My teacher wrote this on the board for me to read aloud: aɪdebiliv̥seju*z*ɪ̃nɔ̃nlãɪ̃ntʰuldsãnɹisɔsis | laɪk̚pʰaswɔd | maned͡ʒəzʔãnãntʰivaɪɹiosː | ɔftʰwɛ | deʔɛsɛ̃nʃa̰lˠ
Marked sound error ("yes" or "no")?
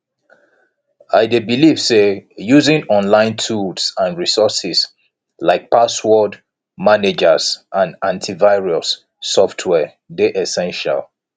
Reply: no